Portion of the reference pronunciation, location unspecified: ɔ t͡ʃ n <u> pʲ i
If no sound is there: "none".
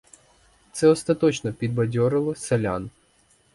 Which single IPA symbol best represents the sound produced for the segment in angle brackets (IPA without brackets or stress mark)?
ɔ